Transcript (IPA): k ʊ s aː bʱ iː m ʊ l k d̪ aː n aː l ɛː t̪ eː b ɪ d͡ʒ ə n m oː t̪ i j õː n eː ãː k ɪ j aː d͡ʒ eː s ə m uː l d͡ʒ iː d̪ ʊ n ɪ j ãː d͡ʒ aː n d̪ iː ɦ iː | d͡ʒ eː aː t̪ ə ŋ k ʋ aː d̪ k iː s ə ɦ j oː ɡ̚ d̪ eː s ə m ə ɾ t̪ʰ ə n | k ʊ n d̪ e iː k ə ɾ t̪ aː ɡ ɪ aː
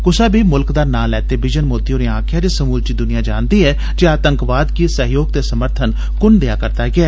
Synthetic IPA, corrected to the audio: k ʊ s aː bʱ iː m ʊ l k d̪ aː n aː l ɛː t̪ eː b ɪ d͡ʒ ə n m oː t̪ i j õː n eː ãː kʰ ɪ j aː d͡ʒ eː s ə m uː l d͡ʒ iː d̪ ʊ n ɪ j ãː d͡ʒ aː n d̪ iː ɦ ɛː | d͡ʒ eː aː t̪ ə ŋ k ʋ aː d̪ k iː s ə ɦ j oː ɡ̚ t̪ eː s ə m ə ɾ t̪ʰ ə n | k ʊ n d̪ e aː k ə ɾ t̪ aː ɡ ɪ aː